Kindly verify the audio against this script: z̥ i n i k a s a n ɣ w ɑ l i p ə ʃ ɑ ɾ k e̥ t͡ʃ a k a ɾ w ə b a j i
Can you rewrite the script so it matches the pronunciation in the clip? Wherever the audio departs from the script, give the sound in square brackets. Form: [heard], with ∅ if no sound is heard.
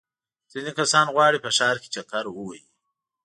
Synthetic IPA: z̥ i n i k a s [ɑ] n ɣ w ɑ [ɽ] i p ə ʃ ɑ ɾ k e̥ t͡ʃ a k a ɾ w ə [w] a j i